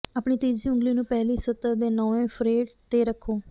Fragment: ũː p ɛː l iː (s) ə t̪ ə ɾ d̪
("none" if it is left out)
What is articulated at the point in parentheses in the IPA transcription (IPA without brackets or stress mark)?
s